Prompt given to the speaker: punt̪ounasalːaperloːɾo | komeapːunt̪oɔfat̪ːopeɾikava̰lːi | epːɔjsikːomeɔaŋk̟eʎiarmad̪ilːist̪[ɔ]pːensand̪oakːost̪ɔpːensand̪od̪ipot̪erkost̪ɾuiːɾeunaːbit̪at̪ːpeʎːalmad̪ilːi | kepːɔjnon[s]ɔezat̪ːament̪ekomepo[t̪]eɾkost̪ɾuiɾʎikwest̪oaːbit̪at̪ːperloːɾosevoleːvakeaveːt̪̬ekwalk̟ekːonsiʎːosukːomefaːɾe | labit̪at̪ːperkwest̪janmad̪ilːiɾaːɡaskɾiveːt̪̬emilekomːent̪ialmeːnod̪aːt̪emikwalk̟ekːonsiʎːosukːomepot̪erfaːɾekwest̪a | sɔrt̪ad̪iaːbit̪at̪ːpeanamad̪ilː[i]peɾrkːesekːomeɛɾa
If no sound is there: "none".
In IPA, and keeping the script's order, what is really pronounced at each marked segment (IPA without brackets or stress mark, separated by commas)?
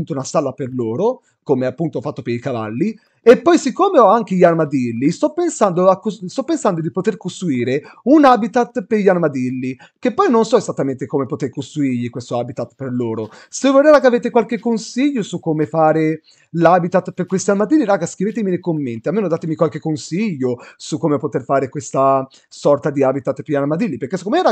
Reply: ɔ, s, t̪, i